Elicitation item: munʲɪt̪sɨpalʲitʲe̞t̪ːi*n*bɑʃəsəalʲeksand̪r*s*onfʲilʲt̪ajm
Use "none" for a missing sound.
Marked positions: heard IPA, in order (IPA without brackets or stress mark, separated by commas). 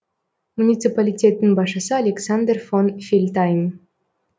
n, f